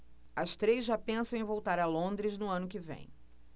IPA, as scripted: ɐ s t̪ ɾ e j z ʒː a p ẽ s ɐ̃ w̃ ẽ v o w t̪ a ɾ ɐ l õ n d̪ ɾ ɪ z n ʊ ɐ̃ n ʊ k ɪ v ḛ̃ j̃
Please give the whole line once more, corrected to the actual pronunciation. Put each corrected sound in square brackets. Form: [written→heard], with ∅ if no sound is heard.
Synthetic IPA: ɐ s t̪ ɾ e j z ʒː a p ẽ s ɐ̃ w̃ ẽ v o w t̪ a ɾ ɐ l õ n d̪ ɾ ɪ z n ʊ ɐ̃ n ʊ k ɪ v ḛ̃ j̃